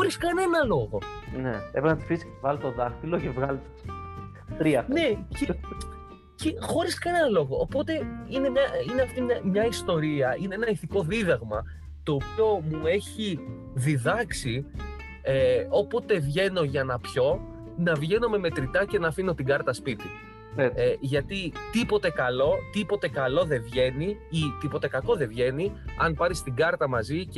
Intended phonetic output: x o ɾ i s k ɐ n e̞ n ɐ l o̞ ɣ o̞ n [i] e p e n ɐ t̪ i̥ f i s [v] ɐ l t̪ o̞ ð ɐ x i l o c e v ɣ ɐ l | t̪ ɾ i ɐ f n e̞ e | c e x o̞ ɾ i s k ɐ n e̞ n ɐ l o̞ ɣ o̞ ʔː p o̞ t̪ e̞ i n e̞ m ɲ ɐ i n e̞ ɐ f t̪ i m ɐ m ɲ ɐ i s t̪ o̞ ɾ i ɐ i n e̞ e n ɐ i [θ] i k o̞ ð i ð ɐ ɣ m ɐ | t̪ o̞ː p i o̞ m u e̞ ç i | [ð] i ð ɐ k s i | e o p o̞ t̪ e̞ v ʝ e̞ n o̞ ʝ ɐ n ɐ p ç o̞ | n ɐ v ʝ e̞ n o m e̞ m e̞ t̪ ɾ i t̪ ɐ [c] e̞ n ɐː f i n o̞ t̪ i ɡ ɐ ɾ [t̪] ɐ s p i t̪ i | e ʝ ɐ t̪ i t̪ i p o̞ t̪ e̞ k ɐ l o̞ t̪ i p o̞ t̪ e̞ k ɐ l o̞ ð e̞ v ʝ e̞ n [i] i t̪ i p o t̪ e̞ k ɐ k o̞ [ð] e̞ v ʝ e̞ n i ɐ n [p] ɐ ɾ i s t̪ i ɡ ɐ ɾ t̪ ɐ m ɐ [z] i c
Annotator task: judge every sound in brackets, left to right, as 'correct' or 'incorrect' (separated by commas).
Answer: incorrect, correct, correct, correct, correct, correct, correct, correct, correct, correct